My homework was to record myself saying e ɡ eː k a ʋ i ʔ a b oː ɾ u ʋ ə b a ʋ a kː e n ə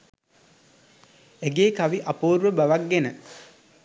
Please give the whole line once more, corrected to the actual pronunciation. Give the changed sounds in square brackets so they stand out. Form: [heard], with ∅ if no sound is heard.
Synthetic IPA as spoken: e ɡ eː k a ʋ i ʔ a [p] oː ɾ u ʋ ə b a ʋ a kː e n ə